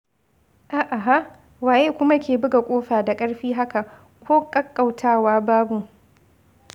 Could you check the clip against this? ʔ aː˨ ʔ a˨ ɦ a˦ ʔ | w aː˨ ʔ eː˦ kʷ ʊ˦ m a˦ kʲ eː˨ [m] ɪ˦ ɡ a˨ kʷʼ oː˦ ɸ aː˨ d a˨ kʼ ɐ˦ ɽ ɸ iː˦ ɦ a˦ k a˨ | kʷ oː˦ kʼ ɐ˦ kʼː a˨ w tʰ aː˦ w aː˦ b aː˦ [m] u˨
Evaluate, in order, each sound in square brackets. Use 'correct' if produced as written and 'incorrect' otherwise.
incorrect: b, incorrect: b

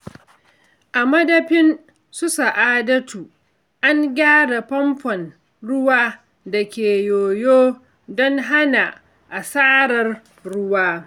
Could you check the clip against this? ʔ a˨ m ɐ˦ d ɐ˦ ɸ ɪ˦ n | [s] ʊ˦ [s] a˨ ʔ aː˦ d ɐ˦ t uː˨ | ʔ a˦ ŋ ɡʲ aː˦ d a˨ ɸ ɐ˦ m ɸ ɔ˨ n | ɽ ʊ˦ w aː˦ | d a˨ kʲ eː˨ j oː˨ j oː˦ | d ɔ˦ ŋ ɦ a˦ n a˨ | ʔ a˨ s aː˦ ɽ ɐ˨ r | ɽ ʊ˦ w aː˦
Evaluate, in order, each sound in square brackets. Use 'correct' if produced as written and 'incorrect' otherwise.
correct, correct

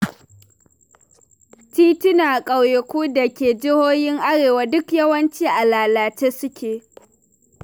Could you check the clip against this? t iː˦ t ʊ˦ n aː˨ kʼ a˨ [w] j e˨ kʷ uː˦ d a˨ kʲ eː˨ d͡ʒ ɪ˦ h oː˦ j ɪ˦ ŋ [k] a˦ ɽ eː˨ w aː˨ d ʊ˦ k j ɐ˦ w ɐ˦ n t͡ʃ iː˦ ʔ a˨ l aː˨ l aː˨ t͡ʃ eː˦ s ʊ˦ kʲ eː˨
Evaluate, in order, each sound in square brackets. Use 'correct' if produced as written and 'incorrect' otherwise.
correct, incorrect: ʔ

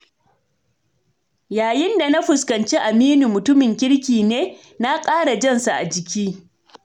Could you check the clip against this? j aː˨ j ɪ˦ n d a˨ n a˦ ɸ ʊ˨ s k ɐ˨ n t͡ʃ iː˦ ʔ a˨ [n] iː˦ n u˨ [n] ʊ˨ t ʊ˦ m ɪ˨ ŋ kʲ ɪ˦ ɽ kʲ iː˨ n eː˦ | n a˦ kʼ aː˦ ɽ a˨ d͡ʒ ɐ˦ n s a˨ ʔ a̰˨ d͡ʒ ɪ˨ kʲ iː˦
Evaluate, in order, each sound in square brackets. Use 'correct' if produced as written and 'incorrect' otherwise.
incorrect: m, incorrect: m

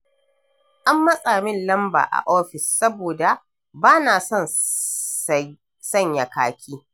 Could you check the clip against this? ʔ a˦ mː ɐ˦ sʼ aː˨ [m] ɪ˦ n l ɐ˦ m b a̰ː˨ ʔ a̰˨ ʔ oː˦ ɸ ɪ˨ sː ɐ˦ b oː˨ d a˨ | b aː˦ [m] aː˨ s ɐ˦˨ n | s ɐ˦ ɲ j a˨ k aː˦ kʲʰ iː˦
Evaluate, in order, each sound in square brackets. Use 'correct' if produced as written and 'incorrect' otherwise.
correct, incorrect: n

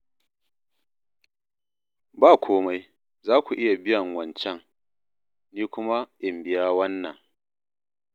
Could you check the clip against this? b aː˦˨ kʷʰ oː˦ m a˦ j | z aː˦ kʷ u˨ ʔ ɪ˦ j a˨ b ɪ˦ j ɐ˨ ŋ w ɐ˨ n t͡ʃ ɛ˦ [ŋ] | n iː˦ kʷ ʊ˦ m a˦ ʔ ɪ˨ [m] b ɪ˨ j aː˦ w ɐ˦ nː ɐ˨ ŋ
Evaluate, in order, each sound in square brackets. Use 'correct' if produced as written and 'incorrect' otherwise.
correct, correct

